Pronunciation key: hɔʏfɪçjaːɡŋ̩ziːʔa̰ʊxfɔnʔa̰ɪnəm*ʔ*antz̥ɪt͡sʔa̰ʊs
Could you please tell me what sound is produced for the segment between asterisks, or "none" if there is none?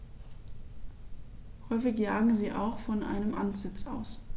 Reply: ʔ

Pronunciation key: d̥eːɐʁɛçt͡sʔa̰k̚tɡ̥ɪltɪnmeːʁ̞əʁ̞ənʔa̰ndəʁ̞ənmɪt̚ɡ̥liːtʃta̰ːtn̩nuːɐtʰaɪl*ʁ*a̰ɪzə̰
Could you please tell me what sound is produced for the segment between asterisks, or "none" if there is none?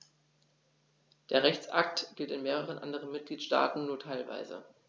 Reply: v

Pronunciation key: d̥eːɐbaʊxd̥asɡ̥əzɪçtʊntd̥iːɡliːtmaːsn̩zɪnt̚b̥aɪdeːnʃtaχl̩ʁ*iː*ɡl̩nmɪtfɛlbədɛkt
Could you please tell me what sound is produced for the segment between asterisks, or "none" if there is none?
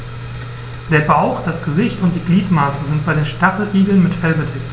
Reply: iː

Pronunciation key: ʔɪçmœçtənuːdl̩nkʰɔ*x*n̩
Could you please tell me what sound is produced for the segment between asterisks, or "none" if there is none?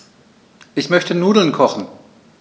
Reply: χ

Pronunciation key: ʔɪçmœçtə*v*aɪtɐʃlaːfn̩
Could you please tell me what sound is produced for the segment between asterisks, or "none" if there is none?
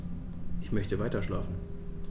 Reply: v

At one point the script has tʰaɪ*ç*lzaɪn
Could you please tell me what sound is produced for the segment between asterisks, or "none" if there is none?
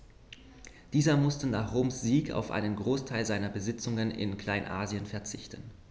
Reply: none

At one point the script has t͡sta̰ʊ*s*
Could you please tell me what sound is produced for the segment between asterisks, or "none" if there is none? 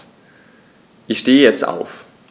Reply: f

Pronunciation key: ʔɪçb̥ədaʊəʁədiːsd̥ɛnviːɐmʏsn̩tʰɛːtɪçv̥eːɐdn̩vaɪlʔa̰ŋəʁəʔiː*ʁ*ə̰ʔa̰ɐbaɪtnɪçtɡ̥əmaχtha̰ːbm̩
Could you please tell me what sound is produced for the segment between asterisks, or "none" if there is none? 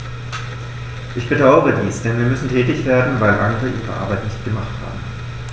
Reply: ʁ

